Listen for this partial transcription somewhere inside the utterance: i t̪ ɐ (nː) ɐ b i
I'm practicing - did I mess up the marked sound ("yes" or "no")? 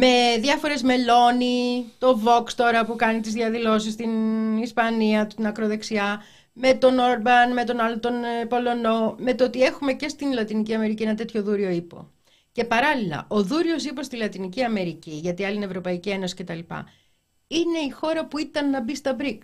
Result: no